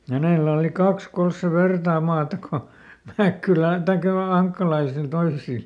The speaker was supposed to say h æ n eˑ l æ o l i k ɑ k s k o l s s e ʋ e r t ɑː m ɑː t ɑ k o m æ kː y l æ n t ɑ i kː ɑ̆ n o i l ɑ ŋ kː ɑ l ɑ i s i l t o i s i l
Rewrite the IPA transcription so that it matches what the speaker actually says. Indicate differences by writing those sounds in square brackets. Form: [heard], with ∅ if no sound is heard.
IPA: h æ n eˑ l æ o l i k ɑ k s k o l s s e ʋ e r t ɑː m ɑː t ɑ k o m æ kː y l æ n t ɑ i kː ɑ̆ n o i l ɑ ŋ kː ɑ l ɑ i s i l t o i s i l